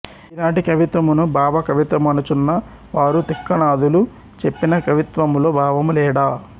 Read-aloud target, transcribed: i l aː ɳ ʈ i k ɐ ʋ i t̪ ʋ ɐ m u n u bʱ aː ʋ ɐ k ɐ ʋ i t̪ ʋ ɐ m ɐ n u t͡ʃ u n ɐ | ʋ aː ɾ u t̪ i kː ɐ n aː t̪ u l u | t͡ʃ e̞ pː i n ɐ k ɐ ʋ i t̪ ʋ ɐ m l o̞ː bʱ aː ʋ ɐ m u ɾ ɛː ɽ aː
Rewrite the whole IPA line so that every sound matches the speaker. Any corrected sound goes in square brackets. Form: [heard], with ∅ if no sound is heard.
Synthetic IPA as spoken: i l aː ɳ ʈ i k ɐ ʋ i t̪ ʋ ɐ m u n u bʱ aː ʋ ɐ k ɐ ʋ i t̪ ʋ ɐ m ɐ n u t͡ʃ u [nː] ɐ | ʋ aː ɾ u t̪ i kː ɐ n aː [d̪] u l u | t͡ʃ e̞ pː i n ɐ k ɐ ʋ i t̪ ʋ ɐ m l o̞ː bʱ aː ʋ ɐ m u [l] ɛː ɽ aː

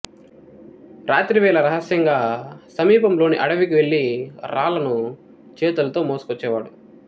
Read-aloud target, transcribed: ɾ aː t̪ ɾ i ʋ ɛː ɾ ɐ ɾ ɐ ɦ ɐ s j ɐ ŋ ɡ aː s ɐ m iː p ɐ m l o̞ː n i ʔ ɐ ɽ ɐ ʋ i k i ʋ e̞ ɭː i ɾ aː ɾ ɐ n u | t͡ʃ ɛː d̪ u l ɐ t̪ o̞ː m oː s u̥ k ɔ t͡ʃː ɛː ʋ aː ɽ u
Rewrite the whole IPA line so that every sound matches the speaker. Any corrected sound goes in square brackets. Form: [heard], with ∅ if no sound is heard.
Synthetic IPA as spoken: ɾ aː t̪ ɾ i ʋ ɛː [l] ɐ ɾ ɐ ɦ ɐ s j ɐ ŋ ɡ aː s ɐ m iː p ɐ m l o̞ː n i ʔ ɐ ɽ ɐ ʋ i k i ʋ e̞ ɭː i ɾ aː [l] ɐ n u | t͡ʃ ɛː [t̪] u l ɐ t̪ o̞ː m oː s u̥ k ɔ t͡ʃː ɛː ʋ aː ɽ u

